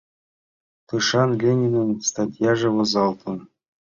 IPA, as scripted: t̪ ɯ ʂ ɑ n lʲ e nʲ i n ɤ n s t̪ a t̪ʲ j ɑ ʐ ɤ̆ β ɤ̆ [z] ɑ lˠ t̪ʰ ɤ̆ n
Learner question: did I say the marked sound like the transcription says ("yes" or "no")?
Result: yes